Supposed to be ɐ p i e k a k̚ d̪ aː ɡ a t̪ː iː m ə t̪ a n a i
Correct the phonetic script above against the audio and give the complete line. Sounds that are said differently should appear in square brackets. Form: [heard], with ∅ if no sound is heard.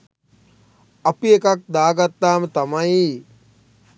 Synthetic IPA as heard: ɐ p i e k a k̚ d̪ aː ɡ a t̪ː [aː] m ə t̪ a [m] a i